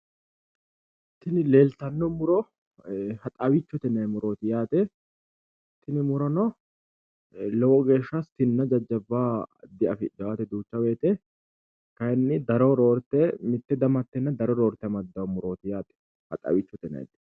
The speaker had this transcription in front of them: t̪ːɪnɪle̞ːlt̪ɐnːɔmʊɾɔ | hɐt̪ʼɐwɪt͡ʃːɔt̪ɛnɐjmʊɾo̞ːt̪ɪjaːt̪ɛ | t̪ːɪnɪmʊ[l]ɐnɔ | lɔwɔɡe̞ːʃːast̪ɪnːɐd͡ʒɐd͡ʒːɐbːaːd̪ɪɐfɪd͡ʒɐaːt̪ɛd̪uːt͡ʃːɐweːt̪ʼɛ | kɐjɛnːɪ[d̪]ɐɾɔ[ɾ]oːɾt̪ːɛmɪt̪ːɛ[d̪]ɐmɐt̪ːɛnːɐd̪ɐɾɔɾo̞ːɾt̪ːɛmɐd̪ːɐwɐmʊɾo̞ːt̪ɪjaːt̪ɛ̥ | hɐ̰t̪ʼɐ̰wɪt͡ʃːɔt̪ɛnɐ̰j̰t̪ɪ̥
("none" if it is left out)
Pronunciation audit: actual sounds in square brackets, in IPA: ɾ, d̪, ɾ, d̪

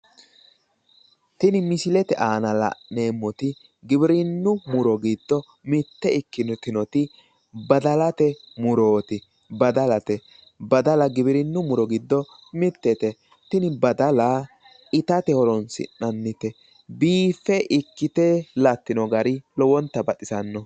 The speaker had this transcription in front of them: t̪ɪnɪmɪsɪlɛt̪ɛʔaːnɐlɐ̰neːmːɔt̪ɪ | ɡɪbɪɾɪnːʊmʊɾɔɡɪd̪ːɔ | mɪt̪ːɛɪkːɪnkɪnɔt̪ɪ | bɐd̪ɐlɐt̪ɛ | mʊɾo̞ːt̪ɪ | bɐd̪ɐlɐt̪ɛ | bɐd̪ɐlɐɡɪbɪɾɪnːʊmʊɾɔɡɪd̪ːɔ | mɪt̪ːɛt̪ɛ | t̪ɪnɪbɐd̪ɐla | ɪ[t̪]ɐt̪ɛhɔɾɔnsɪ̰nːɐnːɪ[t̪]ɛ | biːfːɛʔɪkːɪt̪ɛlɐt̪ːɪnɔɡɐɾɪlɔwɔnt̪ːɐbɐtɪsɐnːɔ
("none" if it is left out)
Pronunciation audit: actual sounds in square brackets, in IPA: t̪, t̪

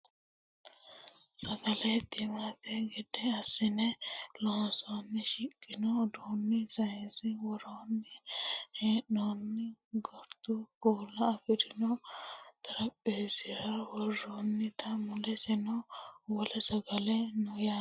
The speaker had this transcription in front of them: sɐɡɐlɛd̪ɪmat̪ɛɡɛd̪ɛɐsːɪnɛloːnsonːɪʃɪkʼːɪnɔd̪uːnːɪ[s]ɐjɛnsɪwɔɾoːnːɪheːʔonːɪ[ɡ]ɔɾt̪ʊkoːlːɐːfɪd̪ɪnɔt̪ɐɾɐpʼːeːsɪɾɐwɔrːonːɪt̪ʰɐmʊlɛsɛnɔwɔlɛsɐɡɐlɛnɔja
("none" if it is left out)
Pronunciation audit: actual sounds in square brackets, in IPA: s, ɡ

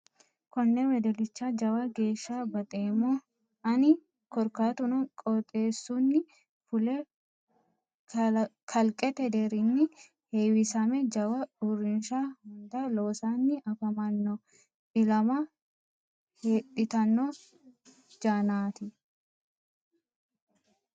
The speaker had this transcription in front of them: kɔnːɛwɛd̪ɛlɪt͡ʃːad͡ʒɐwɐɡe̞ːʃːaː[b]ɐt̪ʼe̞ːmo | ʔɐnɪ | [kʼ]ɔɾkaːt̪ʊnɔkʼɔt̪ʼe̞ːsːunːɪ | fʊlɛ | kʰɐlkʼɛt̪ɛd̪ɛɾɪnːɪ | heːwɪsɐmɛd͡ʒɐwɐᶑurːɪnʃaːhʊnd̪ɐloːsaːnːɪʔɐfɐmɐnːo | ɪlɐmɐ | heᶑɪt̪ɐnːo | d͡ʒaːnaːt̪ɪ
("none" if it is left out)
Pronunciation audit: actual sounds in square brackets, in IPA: b, k

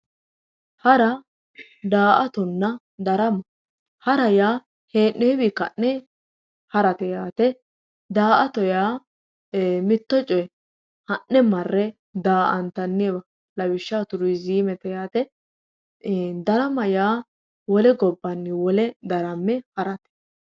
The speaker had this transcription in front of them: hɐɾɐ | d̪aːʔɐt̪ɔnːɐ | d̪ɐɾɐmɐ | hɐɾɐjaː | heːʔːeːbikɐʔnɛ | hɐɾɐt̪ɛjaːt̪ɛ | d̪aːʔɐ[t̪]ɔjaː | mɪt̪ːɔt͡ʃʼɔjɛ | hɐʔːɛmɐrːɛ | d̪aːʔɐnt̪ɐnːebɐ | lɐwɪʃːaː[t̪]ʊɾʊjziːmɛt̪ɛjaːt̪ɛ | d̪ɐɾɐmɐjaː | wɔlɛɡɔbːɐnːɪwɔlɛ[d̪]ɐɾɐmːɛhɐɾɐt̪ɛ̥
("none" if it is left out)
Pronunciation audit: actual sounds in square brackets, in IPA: t̪, t̪, d̪

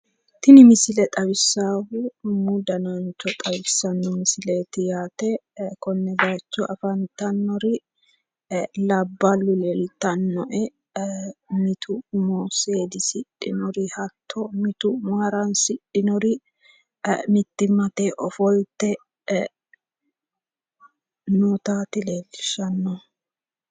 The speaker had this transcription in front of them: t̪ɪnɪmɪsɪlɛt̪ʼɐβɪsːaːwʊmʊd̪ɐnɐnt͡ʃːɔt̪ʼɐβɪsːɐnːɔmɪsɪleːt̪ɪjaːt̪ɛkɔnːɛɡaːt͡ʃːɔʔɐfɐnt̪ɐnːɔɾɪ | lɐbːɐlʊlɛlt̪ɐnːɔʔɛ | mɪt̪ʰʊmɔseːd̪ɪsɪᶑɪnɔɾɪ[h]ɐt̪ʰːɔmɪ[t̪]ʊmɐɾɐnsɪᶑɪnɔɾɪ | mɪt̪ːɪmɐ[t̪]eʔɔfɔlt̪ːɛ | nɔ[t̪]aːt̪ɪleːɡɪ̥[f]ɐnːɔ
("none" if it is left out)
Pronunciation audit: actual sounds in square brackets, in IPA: h, t̪, t̪, t̪, ʃ

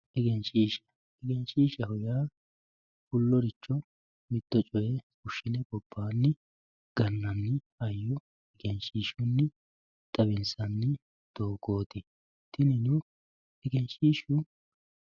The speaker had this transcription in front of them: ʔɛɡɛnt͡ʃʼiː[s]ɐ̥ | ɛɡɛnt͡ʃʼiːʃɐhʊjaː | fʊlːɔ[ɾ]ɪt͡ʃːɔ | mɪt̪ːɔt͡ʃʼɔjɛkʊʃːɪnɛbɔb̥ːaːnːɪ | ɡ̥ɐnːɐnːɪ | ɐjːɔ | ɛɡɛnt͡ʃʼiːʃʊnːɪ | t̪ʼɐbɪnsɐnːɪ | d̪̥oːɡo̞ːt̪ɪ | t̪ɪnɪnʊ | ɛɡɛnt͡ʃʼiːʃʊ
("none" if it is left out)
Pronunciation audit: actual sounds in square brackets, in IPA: ʃ, ɾ

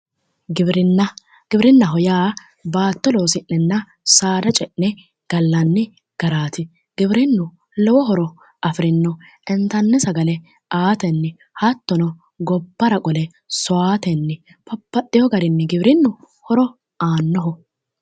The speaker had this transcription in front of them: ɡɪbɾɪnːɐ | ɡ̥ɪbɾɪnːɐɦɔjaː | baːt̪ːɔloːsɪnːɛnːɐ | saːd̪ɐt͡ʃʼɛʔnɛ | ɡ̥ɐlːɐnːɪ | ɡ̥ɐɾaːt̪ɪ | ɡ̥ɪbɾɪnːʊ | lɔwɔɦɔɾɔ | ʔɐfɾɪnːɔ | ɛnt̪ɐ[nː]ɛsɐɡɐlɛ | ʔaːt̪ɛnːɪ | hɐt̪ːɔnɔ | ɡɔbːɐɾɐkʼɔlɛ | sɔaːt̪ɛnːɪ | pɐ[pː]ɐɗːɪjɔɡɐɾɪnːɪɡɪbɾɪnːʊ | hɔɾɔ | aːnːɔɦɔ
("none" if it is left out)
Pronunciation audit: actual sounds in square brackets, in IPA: nː, pː

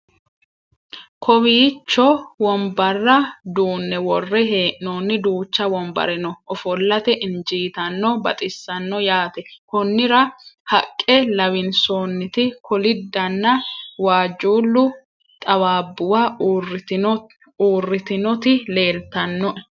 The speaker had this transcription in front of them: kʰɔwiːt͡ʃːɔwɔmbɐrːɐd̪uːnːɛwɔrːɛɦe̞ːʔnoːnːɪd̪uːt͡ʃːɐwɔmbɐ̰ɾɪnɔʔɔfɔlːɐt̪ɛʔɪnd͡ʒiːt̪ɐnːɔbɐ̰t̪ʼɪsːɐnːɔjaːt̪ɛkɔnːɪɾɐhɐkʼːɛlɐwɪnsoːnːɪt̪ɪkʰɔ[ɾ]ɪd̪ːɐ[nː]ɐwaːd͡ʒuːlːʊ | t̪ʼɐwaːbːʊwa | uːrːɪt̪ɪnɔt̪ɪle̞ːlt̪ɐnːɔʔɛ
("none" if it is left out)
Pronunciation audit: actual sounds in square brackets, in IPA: l, nː

